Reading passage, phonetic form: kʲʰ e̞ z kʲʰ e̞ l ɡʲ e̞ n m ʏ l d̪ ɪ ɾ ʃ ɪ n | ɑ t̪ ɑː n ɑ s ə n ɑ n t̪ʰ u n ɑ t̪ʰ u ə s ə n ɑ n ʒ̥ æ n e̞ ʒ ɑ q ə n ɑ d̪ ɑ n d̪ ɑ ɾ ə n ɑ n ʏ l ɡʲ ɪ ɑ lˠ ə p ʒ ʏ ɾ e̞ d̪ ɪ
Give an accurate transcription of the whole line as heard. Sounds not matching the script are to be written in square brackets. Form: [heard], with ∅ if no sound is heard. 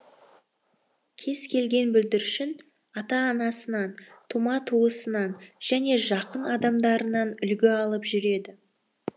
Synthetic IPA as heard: kʲʰ e̞ z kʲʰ e̞ l ɡʲ e̞ n [b] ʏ l d̪ ɪ ɾ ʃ ɪ n | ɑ t̪ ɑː n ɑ s ə n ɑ n t̪ʰ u [m] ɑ t̪ʰ u ə s ə n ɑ n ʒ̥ æ n e̞ ʒ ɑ q ə n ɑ d̪ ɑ [m] d̪ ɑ ɾ ə n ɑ n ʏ l ɡʲ ɪ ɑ lˠ ə p ʒ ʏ ɾ e̞ d̪ ɪ

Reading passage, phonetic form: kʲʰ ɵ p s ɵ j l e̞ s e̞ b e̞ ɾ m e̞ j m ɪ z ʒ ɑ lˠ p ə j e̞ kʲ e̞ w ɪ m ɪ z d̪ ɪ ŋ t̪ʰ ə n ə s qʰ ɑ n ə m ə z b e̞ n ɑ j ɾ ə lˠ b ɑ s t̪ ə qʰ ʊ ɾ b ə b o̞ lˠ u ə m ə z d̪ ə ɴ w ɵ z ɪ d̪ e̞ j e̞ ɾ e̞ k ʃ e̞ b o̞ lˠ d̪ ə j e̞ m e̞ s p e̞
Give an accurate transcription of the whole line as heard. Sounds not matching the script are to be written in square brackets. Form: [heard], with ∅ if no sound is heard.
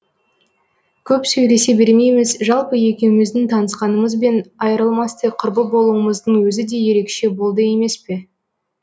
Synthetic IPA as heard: kʲʰ ɵ p s ɵ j l e̞ s e̞ b e̞ ɾ m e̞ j m ɪ z ʒ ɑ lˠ p ə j e̞ kʲ e̞ w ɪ m ɪ z d̪ ɪ ŋ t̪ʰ [ɑ] n ə s [q] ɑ n ə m ə z b e̞ n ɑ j ɾ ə lˠ [m] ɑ s t̪ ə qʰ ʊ ɾ b ə b o̞ lˠ u ə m ə z d̪ ə ɴ w ɵ z ɪ d̪ e̞ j e̞ ɾ e̞ k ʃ e̞ b o̞ lˠ d̪ ə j e̞ m e̞ s p e̞

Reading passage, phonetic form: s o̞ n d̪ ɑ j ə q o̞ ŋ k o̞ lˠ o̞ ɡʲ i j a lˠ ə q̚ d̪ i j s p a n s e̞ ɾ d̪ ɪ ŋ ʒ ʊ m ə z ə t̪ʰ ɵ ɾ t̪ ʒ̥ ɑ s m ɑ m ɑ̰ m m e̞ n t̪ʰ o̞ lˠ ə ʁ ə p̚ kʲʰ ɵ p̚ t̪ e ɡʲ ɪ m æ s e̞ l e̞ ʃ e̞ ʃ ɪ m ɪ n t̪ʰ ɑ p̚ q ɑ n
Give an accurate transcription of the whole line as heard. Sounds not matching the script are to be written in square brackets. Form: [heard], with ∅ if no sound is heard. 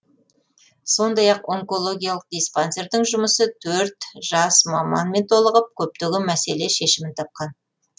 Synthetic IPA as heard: s o̞ n d̪ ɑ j [ɑ] q o̞ ŋ k o̞ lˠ o̞ ɡʲ i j a lˠ ə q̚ d̪ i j s p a n s e̞ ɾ d̪ ɪ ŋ ʒ ʊ m ə [s] ə t̪ʰ ɵ ɾ t̪ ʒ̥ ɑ s m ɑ m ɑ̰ [n] m e̞ n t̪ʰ o̞ lˠ ə ʁ ə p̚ kʲʰ ɵ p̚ t̪ e ɡʲ ɪ m æ s e̞ l e̞ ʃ e̞ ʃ ɪ m ɪ n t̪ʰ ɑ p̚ q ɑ n

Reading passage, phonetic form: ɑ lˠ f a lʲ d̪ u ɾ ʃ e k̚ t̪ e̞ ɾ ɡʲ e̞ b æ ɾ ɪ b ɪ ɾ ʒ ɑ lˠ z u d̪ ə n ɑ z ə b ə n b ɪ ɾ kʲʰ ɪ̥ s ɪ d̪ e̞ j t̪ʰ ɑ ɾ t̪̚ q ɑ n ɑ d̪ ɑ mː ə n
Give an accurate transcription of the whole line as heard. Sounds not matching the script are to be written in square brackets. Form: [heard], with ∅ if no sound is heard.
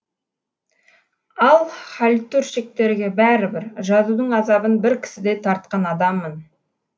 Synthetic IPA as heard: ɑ lˠ [χ] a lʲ [t̪] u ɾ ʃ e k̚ t̪ e̞ ɾ ɡʲ e̞ b æ ɾ ɪ b ɪ ɾ ʒ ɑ [∅] z u d̪ ə [ɴ] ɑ z [ɑ] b ə n b ɪ ɾ kʲʰ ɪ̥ s ɪ d̪ e̞ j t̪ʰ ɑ ɾ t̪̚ q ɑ n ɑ d̪ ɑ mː ə n

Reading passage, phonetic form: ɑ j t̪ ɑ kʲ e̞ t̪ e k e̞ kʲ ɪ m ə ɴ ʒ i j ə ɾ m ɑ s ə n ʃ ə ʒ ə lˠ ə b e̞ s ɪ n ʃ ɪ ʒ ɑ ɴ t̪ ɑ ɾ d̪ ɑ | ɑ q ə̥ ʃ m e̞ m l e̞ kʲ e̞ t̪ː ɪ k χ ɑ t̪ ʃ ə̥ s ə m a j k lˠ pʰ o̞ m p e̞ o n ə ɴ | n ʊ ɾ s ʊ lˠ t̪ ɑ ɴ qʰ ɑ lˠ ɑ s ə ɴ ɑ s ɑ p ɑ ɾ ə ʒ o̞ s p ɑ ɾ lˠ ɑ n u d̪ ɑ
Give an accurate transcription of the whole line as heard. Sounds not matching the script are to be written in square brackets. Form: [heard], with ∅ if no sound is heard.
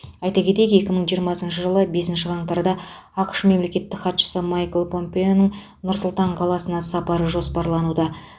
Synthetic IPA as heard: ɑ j t̪ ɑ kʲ e̞ t̪ e k e̞ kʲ ɪ m ə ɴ ʒ i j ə ɾ m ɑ s ə n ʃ ə ʒ ə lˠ ə b e̞ s ɪ n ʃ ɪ [ʁ] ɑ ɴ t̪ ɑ ɾ d̪ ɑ | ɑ q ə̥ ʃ m e̞ m l e̞ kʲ e̞ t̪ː ɪ k χ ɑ t̪ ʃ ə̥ s ə m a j k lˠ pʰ o̞ m p e̞ o n ə ɴ | n ʊ ɾ s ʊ lˠ t̪ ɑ ɴ qʰ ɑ lˠ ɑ s ə [n] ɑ s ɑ p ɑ ɾ ə ʒ o̞ s p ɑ ɾ lˠ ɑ n u d̪ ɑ

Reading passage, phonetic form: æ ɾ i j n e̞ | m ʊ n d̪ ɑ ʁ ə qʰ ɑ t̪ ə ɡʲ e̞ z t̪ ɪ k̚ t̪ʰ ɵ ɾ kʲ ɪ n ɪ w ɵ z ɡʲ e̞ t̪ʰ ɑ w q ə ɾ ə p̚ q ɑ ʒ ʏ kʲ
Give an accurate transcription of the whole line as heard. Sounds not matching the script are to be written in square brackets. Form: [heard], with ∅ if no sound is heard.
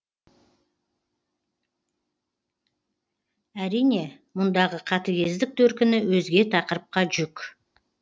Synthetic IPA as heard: æ ɾ i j n e̞ | m ʊ n d̪ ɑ ʁ ə qʰ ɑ t̪ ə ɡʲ e̞ z [d̪] ɪ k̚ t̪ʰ ɵ ɾ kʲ ɪ n ɪ w ɵ z ɡʲ e̞ t̪ʰ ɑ [∅] q ə ɾ ə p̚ q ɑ ʒ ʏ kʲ

